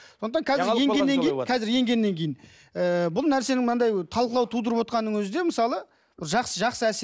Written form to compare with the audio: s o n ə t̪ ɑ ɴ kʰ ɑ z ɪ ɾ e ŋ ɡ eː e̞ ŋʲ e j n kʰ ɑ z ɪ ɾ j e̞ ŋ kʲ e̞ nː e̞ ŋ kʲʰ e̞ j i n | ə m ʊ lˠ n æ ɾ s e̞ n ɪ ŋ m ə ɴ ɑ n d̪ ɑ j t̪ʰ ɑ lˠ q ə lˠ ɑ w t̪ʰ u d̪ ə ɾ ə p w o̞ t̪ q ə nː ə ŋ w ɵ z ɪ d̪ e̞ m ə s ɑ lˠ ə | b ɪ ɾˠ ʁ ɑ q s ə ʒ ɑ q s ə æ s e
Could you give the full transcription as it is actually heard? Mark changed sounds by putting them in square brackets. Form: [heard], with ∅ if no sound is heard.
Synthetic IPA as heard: s o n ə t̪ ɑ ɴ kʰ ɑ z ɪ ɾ e ŋ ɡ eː e̞ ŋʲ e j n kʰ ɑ z ɪ ɾ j e̞ ŋ [ɡʲ] e̞ nː e̞ ŋ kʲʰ e̞ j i n | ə [b] ʊ lˠ n æ ɾ s e̞ n ɪ ŋ m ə [n] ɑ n d̪ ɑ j t̪ʰ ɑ lˠ q ə lˠ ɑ w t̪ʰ u d̪ ə ɾ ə p w o̞ t̪ q [ɑ] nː ə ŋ w ɵ z ɪ d̪ e̞ m ə s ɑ lˠ ə | b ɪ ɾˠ [ʒ] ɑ q s ə ʒ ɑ q s ə æ s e